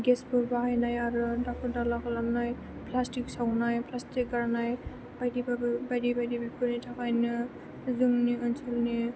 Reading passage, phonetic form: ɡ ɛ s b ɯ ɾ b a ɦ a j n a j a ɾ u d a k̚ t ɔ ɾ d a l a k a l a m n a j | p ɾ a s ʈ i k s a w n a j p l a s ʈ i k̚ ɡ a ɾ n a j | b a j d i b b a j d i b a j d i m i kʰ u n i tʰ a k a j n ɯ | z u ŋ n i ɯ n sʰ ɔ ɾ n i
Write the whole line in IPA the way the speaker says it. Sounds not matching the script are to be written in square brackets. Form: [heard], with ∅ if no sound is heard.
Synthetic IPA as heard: ɡ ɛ s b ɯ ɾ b a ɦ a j n a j a ɾ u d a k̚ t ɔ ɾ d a l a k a l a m n a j | p [l] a s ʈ i k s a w n a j p l a s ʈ i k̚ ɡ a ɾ n a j | b a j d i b b a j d i b a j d i [b] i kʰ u n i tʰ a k a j n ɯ | z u ŋ n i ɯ n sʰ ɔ [l] n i